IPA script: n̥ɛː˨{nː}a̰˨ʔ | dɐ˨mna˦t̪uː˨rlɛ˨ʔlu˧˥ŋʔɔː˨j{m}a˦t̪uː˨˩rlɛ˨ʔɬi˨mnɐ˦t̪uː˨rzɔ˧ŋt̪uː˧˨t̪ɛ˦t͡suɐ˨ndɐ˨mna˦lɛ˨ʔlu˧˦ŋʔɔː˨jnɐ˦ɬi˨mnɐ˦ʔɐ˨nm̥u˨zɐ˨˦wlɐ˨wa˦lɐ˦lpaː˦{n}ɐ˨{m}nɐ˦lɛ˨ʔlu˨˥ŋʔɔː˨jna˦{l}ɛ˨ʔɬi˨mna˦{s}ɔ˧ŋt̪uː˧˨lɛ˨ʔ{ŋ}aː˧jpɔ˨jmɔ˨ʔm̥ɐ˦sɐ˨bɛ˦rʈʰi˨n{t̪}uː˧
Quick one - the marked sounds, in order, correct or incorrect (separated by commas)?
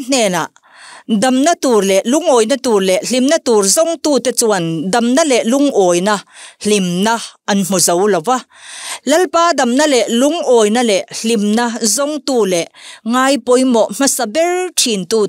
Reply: incorrect, incorrect, incorrect, correct, correct, incorrect, correct, correct